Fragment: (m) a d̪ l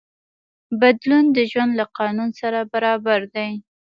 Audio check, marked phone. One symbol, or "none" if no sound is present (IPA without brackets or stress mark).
b